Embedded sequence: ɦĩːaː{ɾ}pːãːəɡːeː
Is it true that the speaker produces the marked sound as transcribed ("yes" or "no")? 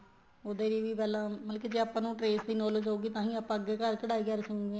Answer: no